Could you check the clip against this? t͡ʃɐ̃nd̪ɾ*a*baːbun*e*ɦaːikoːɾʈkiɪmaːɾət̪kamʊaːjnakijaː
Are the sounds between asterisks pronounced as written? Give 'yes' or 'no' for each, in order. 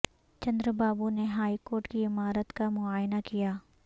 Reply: no, yes

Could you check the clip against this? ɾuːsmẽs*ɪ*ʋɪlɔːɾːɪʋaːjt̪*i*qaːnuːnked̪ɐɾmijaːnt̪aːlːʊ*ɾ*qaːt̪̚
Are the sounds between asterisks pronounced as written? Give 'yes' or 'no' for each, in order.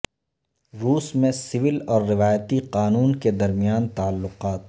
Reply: yes, yes, no

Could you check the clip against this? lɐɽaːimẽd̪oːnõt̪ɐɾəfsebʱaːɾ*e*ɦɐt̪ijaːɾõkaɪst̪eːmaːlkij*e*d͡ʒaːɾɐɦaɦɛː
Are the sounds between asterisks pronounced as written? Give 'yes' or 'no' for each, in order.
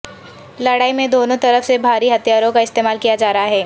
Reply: no, no

